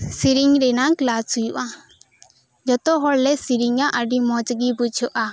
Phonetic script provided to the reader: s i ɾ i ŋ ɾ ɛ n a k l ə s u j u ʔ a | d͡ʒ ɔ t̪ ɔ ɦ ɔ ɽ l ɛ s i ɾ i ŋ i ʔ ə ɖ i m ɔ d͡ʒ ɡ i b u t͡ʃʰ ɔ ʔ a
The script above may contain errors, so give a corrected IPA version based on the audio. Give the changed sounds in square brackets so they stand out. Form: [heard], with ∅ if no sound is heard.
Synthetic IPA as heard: s i ɾ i ŋ ɾ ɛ n a k l [a] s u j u ʔ a | d͡ʒ ɔ t̪ ɔ ɦ ɔ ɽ l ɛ s i ɾ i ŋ [a] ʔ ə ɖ i m ɔ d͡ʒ ɡ i b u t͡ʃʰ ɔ ʔ a